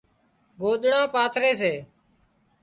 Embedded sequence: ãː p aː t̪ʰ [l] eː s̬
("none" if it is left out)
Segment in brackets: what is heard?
ɾ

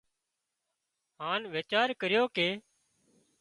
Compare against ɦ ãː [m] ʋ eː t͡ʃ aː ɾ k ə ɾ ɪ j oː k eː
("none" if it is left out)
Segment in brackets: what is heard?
n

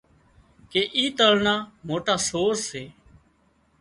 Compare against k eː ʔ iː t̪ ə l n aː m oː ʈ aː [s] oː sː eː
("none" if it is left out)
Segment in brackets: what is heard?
s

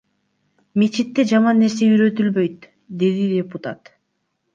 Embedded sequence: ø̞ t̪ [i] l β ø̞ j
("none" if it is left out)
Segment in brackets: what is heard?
y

